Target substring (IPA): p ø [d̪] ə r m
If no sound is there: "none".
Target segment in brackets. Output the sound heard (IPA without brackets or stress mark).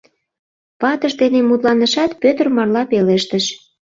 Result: t̪